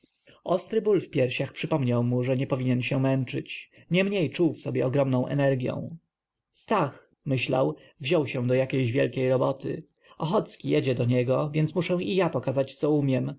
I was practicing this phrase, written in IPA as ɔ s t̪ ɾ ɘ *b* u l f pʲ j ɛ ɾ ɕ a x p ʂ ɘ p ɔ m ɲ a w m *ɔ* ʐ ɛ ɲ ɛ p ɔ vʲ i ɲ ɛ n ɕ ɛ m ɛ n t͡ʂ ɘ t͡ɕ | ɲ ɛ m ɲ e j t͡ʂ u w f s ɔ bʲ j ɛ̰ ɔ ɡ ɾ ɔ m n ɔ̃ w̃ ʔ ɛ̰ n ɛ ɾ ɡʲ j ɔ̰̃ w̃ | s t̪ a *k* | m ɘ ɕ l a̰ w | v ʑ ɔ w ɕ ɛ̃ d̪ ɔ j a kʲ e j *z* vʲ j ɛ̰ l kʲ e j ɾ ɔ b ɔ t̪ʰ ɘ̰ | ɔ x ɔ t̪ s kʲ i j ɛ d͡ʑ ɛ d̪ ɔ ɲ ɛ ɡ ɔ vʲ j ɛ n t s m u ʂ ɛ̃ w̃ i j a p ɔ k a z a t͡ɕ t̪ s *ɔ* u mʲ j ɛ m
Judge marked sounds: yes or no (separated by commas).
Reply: yes, no, no, no, yes